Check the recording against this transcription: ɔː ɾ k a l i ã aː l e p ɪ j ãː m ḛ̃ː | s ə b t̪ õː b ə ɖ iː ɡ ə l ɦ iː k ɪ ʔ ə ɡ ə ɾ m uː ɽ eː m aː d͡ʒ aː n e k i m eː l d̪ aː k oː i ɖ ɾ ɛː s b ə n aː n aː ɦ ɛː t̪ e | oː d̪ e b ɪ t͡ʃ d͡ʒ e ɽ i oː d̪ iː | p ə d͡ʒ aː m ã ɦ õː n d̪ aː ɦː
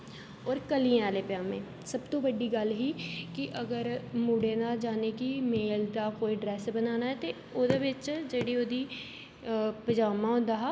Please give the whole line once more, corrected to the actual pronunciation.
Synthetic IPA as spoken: ɔː ɾ k ə l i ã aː l e p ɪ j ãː m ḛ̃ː | s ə b t̪ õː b ə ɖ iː ɡ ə l ɦ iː k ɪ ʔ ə ɡ ə ɾ m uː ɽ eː n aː d͡ʒ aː n e k i m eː l d̪ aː k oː i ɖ ɾ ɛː s b ə n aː n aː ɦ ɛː t̪ e | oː d̪ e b ɪ t͡ʃ d͡ʒ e ɽ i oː d̪ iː | p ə d͡ʒ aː m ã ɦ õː n d̪ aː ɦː

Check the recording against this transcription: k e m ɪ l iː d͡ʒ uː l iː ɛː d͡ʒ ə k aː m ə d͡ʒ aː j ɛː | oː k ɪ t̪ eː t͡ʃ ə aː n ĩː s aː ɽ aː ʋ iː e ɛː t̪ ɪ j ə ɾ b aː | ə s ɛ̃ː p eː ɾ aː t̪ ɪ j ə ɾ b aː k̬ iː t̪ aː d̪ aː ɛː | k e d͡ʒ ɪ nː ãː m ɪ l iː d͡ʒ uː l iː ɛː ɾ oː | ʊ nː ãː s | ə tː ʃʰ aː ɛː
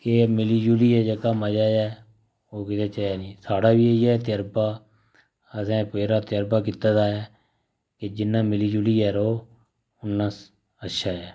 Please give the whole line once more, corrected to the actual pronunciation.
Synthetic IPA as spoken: k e m ɪ l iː d͡ʒ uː l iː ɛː d͡ʒ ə k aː m ə d͡ʒ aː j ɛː | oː k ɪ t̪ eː t͡ʃ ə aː n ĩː s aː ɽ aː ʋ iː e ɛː t̪ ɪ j ə ɾ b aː | ə s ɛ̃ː p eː ɾ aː t̪ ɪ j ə ɾ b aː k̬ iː t̪ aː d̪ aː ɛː | k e d͡ʒ ɪ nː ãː m ɪ l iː d͡ʒ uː l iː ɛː ɾ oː | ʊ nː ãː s | ə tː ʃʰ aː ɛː

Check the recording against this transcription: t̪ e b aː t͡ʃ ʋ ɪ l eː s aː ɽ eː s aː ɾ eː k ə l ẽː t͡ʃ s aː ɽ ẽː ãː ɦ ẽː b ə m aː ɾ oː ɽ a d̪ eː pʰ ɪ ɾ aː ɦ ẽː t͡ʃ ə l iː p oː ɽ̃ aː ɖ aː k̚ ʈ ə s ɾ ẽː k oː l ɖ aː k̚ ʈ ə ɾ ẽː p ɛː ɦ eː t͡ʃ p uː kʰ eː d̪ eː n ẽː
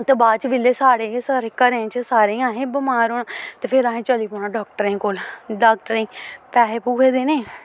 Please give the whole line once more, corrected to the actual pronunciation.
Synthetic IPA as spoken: t̪ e b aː t͡ʃ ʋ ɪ l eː s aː ɽ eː s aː ɾ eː k ə ɾ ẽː t͡ʃ s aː ɾ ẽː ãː ɦ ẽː b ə m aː ɾ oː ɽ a t̪ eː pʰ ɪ ɾ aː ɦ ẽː t͡ʃ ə l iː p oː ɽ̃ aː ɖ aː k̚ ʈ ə ɾ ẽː k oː l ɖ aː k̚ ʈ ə ɾ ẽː p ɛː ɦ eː p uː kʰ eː d̪ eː n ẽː

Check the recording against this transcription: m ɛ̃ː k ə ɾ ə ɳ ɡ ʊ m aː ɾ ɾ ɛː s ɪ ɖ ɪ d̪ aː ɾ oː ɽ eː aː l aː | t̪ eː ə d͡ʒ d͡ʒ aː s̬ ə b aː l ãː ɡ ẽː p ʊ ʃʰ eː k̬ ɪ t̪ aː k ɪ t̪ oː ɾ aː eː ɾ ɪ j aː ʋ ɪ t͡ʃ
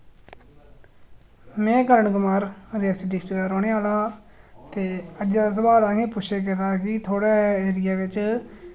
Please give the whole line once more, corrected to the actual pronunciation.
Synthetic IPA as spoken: m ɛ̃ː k ə ɾ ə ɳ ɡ ʊ m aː ɾ ɾ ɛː s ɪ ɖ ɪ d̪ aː ɾ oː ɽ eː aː l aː | t̪ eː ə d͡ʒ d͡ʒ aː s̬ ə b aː l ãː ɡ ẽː p ʊ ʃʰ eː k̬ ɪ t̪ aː k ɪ t̪ʰ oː ɽ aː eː ɾ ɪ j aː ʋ ɪ t͡ʃ

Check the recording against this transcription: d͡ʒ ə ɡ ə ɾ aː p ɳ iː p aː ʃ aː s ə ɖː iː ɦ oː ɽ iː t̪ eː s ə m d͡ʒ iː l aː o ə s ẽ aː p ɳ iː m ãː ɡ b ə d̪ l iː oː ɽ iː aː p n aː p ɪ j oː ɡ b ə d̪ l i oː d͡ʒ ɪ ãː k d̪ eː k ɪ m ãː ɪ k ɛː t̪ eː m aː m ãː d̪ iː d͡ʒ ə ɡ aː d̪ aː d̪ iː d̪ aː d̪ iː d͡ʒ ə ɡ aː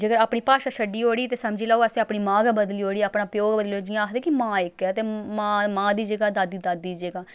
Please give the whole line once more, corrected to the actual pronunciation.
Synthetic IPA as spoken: d͡ʒ ə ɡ ə ɾ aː p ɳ iː p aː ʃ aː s ə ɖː iː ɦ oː ɽ iː t̪ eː s ə m d͡ʒ iː l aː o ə s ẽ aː p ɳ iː m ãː ɡ b ə d̪ l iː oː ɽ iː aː p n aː p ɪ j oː ɡ b ə d̪ l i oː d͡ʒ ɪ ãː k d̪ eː k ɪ m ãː ɪ k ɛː t̪ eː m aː m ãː d̪ iː d͡ʒ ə ɡ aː d̪ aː d̪ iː d̪ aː d̪ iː d͡ʒ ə ɡ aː

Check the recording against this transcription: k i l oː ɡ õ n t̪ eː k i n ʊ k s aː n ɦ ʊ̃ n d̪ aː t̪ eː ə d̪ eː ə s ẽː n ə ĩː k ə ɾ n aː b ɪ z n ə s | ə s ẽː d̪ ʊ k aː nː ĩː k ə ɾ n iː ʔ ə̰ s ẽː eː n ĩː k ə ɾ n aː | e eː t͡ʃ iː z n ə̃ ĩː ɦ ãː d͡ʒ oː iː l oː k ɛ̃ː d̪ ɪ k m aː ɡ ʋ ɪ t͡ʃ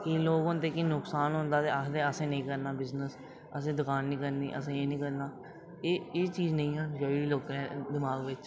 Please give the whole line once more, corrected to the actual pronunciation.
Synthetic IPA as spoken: k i l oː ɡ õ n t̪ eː k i n ʊ k s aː n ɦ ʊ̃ n d̪ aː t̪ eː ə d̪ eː ə s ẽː n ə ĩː k ə ɾ n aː b ɪ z n ə s | ə s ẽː d̪ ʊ k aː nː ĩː k ə ɾ n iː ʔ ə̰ s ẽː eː n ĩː k ə ɾ n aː | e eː t͡ʃ iː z n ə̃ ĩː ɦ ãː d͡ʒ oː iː l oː k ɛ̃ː d̪ ɪ m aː ɡ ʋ ɪ t͡ʃ

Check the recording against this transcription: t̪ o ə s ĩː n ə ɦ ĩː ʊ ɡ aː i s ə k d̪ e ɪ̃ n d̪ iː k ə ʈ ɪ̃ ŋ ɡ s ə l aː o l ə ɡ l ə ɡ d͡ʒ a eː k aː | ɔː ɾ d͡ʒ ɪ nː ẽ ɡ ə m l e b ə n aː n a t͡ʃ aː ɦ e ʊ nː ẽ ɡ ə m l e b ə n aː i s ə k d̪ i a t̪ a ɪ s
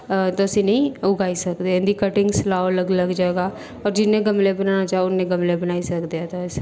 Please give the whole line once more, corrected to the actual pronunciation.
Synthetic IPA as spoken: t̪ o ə s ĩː n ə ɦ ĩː ʊ ɡ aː i s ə k d̪ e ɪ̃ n d̪ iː k ə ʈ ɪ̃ ŋ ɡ s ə l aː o l ə ɡ l ə ɡ d͡ʒ a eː ɡ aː | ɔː ɾ d͡ʒ ɪ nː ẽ ɡ ə m l e b ə n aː n a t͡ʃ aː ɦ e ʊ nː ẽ ɡ ə m l e b ə n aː i s ə k d̪ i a t̪ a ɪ s

